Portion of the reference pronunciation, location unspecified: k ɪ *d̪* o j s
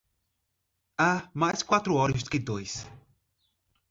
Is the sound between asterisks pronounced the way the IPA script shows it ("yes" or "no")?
yes